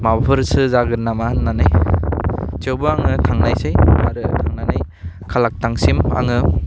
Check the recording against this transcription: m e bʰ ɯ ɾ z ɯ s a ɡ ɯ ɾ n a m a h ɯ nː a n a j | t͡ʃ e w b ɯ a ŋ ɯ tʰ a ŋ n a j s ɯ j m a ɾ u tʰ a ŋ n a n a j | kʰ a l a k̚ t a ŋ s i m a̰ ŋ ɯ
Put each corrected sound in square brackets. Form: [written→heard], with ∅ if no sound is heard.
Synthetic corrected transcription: m [e→a] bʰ ɯ ɾ [z→s] ɯ [s→z] a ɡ ɯ ɾ n a m a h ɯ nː a n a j | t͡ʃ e w b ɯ a ŋ ɯ tʰ a ŋ n a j s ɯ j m a ɾ [u→ɯ] tʰ a ŋ n a n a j | kʰ a l a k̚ t a ŋ s i m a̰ ŋ ɯ